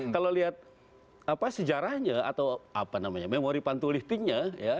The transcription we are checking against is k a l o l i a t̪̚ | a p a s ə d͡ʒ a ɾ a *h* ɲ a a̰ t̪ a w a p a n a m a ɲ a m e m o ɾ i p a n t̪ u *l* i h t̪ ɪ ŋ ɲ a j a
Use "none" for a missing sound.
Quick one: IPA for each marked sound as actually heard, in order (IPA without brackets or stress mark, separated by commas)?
h, l